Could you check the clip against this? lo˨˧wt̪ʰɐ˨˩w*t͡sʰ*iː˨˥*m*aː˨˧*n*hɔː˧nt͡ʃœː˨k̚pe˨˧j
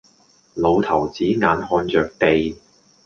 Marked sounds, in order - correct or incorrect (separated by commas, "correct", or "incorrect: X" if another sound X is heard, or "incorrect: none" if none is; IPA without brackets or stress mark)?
incorrect: t͡s, incorrect: ŋ, correct